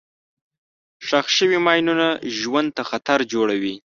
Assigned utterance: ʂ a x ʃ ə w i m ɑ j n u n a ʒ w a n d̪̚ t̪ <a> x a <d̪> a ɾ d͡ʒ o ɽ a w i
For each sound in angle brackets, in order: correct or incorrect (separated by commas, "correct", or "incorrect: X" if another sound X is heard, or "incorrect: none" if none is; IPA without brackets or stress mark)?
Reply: correct, incorrect: t̪